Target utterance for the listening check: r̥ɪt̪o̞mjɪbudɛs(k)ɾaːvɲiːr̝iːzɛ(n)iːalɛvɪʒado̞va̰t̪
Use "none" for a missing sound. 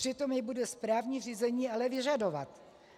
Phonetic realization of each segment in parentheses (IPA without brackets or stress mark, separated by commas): p, ɲ